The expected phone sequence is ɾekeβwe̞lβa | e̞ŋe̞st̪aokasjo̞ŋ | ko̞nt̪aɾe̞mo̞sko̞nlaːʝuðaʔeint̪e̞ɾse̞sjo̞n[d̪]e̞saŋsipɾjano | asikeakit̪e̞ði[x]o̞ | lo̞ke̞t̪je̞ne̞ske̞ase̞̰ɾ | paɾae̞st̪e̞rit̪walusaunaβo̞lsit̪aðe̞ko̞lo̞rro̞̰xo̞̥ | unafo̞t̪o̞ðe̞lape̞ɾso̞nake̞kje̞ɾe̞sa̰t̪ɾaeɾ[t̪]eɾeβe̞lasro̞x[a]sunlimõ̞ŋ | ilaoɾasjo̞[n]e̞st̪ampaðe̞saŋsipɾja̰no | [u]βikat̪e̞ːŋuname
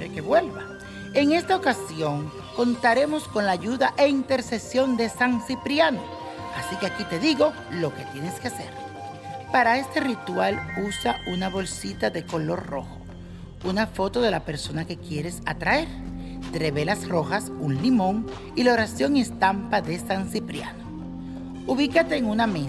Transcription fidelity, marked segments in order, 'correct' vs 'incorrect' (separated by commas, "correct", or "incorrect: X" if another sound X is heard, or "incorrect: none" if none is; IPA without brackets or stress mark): correct, incorrect: ɣ, correct, correct, incorrect: ŋ, correct